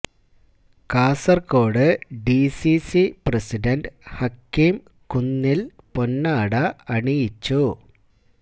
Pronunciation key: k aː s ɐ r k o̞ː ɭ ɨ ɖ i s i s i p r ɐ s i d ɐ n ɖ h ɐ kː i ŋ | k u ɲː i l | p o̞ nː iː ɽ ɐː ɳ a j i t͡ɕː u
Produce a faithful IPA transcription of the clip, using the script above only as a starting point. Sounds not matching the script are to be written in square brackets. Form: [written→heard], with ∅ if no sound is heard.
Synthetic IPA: k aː s ɐ r k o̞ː [ɭ→ɽ] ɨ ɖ i s i s i p r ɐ s i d ɐ n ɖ h ɐ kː i [ŋ→m] | k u [ɲː→nː] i l | p o̞ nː [iː→aː] ɽ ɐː ɳ [a→i] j i t͡ɕː u